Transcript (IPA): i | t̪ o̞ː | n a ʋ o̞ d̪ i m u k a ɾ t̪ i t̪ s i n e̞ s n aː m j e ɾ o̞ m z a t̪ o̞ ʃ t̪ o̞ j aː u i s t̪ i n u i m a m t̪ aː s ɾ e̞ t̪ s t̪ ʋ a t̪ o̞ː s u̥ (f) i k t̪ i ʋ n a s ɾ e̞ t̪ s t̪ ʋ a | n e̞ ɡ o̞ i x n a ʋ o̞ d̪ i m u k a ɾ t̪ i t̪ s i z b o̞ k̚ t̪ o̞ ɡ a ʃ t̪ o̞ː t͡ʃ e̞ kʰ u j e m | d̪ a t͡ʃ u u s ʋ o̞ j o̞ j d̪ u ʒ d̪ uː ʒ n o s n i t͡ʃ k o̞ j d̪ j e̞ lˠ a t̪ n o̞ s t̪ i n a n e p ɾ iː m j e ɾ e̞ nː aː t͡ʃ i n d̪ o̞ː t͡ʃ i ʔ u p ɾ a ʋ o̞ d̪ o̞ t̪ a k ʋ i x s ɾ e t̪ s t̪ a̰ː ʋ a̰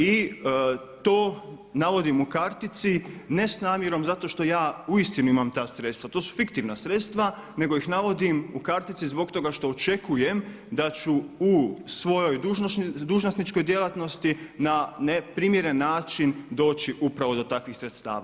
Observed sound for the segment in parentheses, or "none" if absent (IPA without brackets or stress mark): f